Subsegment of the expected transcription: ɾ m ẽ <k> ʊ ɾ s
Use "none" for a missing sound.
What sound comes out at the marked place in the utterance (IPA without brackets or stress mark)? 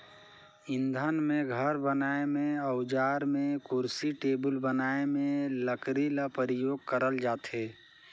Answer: k